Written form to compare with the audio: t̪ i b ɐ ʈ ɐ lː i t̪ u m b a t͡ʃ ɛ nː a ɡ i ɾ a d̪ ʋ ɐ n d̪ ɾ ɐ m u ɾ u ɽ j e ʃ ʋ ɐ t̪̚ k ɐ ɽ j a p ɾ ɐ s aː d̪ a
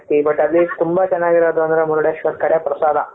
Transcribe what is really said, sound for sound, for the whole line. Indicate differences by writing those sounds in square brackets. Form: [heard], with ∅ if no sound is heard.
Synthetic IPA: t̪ i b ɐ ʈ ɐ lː i t̪ u m b a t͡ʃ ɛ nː a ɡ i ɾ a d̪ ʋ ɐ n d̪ ɾ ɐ m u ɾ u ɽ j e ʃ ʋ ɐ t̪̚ k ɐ ɽ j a p ɾ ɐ s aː d̪ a